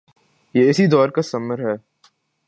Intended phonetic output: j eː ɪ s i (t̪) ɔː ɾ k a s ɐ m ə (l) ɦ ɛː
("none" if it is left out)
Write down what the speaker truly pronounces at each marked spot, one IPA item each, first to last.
d̪, ɾ

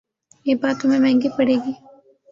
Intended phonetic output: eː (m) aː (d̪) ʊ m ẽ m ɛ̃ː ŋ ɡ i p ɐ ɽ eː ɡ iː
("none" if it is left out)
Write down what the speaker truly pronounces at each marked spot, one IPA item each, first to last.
b, t̪

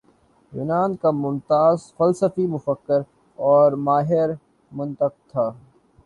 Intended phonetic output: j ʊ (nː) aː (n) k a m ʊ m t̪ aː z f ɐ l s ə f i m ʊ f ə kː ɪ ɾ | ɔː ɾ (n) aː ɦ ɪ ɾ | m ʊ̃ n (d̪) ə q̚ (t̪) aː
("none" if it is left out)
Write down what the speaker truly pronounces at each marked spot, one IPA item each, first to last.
n, n, m, t̪, t̪ʰ

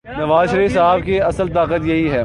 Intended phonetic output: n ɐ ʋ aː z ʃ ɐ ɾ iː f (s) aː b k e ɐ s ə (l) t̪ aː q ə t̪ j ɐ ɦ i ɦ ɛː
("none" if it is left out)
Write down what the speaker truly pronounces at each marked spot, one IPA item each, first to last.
s, l

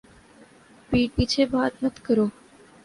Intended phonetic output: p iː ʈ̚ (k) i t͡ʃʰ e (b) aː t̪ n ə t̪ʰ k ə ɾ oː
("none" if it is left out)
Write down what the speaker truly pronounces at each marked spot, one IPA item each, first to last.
p, b

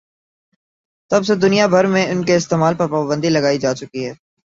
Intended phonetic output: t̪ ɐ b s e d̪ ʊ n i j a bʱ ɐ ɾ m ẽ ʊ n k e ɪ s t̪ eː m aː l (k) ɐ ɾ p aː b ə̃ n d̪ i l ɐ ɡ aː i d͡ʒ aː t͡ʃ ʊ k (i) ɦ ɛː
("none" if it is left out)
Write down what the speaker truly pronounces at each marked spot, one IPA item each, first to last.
p, i

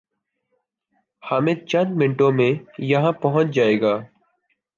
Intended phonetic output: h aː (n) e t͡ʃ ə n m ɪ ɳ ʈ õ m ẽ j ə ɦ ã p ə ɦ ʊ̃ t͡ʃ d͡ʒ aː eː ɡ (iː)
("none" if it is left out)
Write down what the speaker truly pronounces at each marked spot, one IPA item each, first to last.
m, aː

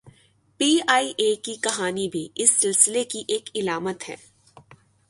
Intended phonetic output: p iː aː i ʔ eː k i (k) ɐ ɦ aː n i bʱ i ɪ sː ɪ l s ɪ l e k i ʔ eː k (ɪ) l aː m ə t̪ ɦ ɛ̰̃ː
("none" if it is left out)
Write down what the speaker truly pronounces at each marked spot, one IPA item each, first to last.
k, ɪ

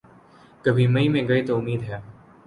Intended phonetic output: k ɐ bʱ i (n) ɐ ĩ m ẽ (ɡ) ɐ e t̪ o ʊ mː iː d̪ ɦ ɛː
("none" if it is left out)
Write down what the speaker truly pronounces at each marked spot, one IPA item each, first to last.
m, ɡ

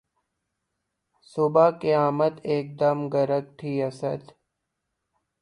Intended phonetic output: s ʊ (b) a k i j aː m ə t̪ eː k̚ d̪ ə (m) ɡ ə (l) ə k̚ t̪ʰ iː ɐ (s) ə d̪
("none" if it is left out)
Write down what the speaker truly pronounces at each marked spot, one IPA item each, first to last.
b, m, ɾ, s

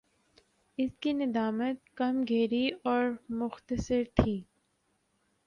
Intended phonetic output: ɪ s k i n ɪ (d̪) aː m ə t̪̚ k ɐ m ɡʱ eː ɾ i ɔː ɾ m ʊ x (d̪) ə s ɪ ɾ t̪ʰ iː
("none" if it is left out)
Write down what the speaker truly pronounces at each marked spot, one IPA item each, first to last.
d̪, t̪

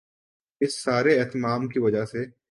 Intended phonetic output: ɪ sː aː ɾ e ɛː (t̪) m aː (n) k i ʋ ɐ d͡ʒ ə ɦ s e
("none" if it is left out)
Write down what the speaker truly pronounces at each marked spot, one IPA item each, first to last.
t̪, m

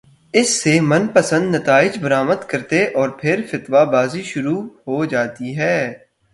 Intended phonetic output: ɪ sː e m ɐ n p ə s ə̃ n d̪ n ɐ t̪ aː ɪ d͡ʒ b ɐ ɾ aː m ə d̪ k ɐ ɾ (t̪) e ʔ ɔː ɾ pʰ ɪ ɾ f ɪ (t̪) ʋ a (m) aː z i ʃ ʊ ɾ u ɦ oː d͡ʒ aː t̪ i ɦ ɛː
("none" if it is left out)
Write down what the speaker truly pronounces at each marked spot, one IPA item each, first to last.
t̪, t̪, b

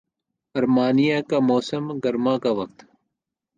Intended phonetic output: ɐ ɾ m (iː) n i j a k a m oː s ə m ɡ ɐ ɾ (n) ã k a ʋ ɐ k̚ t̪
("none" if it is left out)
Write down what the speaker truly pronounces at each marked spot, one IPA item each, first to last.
aː, m

